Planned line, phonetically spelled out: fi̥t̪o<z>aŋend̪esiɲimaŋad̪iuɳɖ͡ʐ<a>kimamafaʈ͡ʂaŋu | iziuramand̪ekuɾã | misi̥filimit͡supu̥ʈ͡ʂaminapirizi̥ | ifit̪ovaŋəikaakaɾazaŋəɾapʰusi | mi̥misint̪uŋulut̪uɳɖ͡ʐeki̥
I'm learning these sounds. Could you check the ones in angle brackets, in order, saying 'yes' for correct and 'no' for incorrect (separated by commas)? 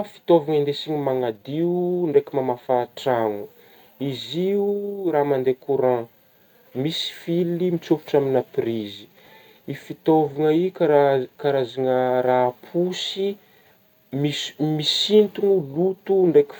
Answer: no, no